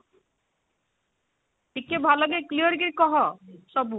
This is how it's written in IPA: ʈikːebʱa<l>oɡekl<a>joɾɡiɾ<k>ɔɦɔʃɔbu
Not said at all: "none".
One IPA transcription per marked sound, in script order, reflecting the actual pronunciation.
l, i, k

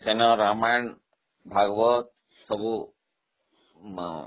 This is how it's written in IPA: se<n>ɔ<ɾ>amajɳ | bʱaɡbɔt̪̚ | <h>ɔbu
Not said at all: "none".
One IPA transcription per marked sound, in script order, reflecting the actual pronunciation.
n, ɾ, s

